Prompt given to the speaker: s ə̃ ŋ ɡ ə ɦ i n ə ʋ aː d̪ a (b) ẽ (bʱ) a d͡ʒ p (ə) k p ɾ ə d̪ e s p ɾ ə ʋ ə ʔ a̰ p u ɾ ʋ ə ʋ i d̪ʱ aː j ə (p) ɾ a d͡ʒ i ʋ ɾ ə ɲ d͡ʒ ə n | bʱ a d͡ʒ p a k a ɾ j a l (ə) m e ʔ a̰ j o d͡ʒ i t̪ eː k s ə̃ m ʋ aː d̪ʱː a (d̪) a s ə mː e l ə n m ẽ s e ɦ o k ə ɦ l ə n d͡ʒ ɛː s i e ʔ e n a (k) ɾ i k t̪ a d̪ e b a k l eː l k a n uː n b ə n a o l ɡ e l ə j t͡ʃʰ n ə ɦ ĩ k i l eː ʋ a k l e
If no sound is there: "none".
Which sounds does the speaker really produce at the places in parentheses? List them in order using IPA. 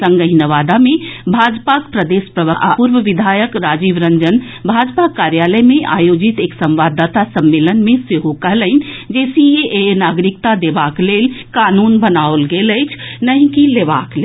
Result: m, bʱ, a, k, ə, t̪, ɡ

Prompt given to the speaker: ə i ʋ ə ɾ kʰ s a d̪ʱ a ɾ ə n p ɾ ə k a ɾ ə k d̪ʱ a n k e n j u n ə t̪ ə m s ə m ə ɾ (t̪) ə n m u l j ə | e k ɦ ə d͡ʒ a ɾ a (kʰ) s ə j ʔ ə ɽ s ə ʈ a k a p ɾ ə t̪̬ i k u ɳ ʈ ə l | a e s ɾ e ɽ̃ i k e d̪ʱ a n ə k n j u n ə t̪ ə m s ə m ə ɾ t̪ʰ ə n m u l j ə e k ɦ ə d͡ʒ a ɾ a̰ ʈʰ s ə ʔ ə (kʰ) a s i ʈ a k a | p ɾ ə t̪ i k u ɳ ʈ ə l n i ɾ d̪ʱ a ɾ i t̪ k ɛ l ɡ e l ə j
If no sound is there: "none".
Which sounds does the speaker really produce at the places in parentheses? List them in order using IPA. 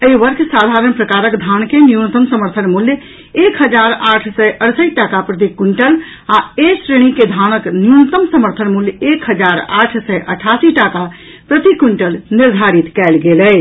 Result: t̪ʰ, ʈʰ, ʈʰ

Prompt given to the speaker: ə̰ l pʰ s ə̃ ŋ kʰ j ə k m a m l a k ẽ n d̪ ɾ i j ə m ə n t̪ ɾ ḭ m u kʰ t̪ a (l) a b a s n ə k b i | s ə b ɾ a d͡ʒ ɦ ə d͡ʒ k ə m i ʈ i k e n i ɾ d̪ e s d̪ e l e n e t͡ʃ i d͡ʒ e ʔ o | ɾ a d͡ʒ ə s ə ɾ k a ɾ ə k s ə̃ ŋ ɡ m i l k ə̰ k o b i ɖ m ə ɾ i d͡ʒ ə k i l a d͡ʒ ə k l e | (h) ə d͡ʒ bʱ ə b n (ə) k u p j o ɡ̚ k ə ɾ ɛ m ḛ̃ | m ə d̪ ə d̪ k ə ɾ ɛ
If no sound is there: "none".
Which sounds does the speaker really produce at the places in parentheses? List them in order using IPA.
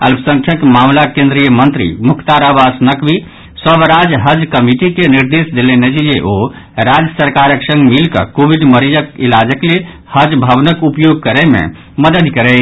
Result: ɾ, h, ə

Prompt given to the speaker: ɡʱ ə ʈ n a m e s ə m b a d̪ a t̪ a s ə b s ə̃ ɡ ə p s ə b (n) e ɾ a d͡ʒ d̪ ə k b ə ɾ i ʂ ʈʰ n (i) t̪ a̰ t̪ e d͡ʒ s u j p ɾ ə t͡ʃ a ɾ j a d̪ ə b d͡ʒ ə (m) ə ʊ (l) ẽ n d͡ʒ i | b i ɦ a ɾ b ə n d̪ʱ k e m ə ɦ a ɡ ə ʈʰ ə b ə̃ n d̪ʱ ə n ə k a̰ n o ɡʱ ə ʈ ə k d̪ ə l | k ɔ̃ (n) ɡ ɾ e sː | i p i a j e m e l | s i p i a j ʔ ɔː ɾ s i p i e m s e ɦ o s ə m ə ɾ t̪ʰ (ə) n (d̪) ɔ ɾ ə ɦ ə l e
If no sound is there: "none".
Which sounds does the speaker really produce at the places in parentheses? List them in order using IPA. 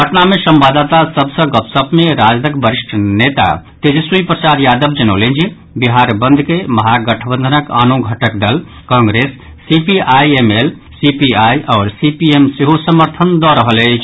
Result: m, e, n, l, ŋ, ə, d̪

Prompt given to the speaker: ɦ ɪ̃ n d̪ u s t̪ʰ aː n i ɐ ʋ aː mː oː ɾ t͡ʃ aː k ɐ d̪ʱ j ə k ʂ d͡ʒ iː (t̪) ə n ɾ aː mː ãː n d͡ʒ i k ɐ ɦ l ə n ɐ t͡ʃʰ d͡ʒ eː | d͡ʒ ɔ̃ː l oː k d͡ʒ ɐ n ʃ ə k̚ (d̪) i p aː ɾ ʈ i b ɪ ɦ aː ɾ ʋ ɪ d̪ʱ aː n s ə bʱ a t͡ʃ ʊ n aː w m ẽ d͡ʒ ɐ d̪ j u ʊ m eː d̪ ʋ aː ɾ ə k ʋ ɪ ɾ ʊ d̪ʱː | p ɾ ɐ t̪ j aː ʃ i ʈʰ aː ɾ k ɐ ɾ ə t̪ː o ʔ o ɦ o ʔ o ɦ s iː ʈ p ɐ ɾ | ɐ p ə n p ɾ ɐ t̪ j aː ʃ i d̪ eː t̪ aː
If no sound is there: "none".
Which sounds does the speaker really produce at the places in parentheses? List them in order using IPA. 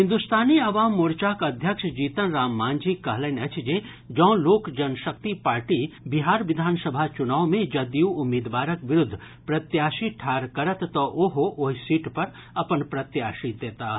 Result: t̪, t̪

